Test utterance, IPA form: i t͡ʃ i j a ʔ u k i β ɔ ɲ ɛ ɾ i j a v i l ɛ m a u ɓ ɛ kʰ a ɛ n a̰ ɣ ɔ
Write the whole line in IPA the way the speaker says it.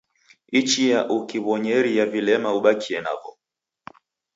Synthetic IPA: i t͡ʃ i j a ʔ u k i β ɔ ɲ ɛ ɾ i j a v i l ɛ m a u ɓ a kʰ i ɛ n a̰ v ɔ